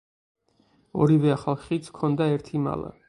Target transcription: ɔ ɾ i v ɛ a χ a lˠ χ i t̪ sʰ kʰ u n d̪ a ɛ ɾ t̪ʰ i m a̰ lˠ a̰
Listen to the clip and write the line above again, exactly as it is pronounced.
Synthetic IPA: ɔ ɾ i v ɛ a χ a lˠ χ i t̪ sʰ kʰ ɔ n d̪ a ɛ ɾ t̪ʰ i m a̰ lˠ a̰